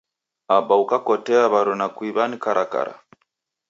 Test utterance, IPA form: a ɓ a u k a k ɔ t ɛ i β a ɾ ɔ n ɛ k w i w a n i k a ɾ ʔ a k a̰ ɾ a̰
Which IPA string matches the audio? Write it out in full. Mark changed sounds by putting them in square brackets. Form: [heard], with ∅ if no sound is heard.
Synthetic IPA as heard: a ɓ a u k a k ɔ t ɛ [a] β a ɾ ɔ n [a] k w i [β] a n i k a ɾ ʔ a k a̰ ɾ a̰